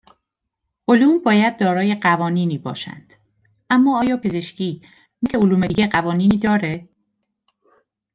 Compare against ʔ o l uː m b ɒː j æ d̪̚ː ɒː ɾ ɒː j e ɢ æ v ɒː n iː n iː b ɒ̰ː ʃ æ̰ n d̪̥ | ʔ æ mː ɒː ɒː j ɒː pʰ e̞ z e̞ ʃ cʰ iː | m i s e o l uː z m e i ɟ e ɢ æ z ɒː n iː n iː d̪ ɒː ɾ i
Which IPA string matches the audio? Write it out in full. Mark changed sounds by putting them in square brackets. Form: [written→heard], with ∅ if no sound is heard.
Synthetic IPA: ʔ o l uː m b ɒː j æ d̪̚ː ɒː ɾ ɒː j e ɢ æ v ɒː n iː n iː b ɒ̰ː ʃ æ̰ n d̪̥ | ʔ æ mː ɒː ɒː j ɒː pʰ e̞ z e̞ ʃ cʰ iː | m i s e o l uː [z→∅] m e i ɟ e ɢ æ [z→v] ɒː n iː n iː d̪ ɒː ɾ [i→e]